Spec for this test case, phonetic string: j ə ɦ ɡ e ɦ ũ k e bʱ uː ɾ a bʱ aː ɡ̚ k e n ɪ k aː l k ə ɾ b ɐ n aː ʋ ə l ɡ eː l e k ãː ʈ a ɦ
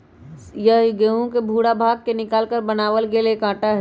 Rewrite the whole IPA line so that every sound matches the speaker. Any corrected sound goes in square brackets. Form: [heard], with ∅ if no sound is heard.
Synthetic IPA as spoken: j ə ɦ ɡ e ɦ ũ k e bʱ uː [ɽ] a bʱ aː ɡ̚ k e n ɪ k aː l k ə ɾ b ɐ n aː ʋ ə l ɡ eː l e k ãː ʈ a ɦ